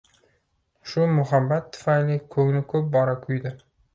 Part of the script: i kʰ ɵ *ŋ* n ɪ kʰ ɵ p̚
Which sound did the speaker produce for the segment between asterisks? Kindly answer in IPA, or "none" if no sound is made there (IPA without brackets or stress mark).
ŋ